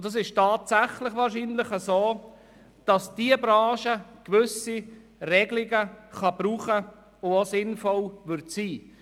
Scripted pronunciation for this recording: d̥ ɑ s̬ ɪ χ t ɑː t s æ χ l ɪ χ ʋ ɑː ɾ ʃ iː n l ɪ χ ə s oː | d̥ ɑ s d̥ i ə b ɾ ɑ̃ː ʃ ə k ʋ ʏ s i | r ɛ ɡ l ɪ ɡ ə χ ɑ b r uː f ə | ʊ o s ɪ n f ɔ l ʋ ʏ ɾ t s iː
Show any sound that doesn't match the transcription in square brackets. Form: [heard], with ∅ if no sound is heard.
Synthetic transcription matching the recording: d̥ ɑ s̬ ɪ [ʃ] t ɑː t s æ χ l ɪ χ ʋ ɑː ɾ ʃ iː n l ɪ χ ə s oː | d̥ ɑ s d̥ i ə b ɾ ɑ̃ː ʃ ə k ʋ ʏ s i | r ɛ ɡ l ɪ ɡ ə χ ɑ b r uː [χ] ə | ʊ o s ɪ n f ɔ l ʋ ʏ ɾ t s iː